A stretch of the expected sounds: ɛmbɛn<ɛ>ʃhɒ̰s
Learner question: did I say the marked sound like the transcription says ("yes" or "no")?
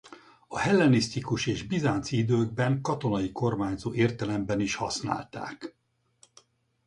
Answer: no